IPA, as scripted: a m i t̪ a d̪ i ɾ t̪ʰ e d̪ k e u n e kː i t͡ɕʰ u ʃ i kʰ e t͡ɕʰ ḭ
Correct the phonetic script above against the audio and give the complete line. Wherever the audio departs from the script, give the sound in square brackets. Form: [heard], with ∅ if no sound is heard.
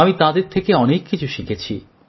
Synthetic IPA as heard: a m i t̪ a d̪ [e] ɾ t̪ʰ e [∅] k e [ɔ] n e kː i t͡ɕʰ u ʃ i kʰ e t͡ɕʰ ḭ

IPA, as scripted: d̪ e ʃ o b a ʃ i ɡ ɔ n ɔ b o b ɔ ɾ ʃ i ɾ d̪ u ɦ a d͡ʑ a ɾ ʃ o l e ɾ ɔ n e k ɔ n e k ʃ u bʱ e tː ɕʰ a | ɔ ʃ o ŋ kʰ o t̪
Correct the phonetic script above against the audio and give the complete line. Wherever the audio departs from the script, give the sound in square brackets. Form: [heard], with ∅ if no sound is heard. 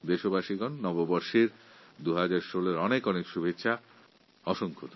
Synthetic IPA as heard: d̪ e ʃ o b a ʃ i ɡ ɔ [nː] ɔ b o b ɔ ɾ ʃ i ɾ d̪ u ɦ a d͡ʑ a ɾ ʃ o l e ɾ ɔ n e k ɔ n e k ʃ u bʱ e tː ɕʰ a | ɔ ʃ o ŋ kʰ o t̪

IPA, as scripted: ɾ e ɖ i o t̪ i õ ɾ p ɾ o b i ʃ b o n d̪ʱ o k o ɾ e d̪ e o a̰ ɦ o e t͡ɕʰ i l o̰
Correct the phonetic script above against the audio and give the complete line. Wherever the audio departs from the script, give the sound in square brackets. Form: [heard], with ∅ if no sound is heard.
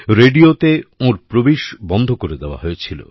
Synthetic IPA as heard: ɾ e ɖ i o t̪ [e] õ ɾ p ɾ o b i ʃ b [ɔ] n d̪ʱ o k o ɾ e d̪ e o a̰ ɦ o e t͡ɕʰ i l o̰

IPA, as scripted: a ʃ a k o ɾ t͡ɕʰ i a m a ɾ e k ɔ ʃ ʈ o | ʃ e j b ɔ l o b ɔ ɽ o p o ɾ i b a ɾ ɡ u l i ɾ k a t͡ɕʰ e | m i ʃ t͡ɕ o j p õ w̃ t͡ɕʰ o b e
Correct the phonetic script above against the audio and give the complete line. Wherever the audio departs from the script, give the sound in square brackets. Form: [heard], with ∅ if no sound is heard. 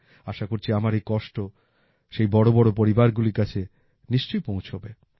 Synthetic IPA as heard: a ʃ a k o ɾ t͡ɕʰ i a m a ɾ e k ɔ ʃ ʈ o | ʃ e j b ɔ [ɽ] o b ɔ ɽ o p o ɾ i b a ɾ ɡ u l i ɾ k a t͡ɕʰ e | [n] i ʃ t͡ɕ o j p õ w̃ t͡ɕʰ o b e

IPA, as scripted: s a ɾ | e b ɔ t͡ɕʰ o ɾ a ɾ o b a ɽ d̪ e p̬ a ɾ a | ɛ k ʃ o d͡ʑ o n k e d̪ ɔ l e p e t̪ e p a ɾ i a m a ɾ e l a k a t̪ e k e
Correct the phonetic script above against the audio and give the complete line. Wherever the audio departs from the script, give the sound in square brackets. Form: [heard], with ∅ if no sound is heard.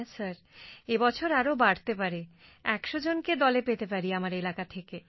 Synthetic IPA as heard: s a ɾ | e b ɔ t͡ɕʰ o ɾ a ɾ o b a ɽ [t̪] e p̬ a ɾ [e] | ɛ k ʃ o d͡ʑ o n k e d̪ ɔ l e p e t̪ e p a ɾ i a m a ɾ e l a k a [t̪ʰ] e k e

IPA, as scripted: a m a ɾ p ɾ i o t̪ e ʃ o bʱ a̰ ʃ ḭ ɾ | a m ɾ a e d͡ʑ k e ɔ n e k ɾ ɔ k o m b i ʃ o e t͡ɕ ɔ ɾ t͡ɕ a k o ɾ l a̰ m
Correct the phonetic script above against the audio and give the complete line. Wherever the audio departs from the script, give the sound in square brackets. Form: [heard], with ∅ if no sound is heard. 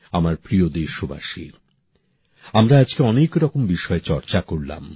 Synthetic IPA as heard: a m a ɾ p ɾ i o [d̪] e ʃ o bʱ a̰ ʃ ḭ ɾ | a m ɾ a [a] d͡ʑ k e ɔ n e k ɾ ɔ k o m b i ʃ [ɔ] e t͡ɕ ɔ ɾ t͡ɕ a k o ɾ l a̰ m

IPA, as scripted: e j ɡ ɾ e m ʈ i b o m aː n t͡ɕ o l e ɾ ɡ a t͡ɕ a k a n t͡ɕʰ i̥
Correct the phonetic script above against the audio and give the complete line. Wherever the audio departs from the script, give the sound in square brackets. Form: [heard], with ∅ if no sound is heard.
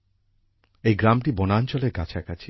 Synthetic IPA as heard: e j ɡ ɾ [a] m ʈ i b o [n] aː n t͡ɕ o l e ɾ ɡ a [t͡ɕʰ] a k a [∅] t͡ɕʰ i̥

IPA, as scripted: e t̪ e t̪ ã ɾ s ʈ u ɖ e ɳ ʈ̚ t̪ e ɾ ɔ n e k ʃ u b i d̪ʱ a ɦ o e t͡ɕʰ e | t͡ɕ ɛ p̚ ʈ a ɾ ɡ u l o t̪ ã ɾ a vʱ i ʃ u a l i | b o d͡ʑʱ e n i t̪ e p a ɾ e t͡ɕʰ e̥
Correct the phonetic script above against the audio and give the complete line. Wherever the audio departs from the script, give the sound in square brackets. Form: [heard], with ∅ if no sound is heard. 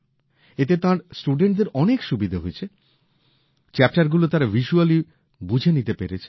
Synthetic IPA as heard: e t̪ e t̪ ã ɾ s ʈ u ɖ e ɳ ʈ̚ [d̪] e ɾ ɔ n e k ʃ u b i d̪ʱ a ɦ o e t͡ɕʰ e | t͡ɕ ɛ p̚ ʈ a ɾ ɡ u l o t̪ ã ɾ a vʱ i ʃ u a l i | b [u] d͡ʑʱ e n i t̪ e p [e] ɾ e t͡ɕʰ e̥

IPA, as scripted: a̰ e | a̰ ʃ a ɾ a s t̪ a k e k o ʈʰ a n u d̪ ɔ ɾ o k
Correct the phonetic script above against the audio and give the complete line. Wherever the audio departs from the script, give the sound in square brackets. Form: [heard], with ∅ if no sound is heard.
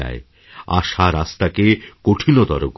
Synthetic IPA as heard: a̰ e | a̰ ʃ a ɾ a s t̪ a k e k o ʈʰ [i] n [o] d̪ ɔ ɾ o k

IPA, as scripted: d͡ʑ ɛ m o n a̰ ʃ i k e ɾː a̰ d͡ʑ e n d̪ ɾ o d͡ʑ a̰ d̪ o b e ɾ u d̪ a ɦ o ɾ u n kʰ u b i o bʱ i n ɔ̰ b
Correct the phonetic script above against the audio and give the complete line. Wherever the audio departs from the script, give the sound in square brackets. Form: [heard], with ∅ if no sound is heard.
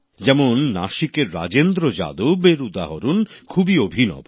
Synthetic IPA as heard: d͡ʑ ɛ m o [nː] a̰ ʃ i k e ɾː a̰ d͡ʑ e n d̪ ɾ o d͡ʑ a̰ d̪ o b e ɾ u d̪ a ɦ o ɾ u n kʰ u b i o bʱ i n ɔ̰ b

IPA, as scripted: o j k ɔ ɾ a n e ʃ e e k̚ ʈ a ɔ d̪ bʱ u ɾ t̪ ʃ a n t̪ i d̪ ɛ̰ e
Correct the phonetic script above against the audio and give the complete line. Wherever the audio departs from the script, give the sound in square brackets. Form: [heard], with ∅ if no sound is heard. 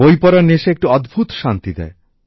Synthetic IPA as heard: o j [p] ɔ ɾ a n e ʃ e e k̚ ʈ [i] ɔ d̪ bʱ u [∅] t̪ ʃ a n t̪ i d̪ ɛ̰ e

